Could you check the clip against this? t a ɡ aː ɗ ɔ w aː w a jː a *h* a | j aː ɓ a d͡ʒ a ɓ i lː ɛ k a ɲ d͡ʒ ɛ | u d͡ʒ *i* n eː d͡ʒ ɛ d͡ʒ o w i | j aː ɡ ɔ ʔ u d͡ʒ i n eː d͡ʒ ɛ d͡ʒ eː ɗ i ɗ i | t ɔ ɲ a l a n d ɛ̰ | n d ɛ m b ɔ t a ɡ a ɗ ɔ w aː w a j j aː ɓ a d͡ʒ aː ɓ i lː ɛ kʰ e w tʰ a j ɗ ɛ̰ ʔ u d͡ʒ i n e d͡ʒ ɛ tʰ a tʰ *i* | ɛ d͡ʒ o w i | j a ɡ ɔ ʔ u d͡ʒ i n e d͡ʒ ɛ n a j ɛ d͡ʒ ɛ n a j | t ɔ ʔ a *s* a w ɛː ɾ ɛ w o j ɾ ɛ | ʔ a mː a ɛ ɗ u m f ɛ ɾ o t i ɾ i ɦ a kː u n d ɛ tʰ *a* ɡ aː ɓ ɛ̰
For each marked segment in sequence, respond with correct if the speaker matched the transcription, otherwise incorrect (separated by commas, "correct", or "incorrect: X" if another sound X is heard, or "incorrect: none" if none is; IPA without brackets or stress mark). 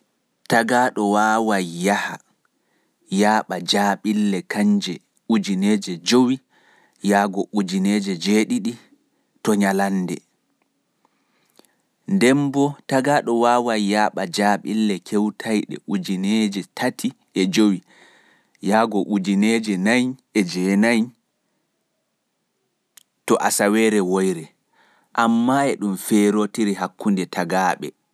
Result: correct, correct, correct, correct, correct